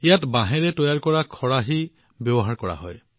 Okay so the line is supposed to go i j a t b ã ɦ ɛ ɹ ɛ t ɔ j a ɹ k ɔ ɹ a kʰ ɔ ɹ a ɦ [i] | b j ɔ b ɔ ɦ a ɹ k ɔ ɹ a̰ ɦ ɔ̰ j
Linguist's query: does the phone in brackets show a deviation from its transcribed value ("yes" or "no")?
no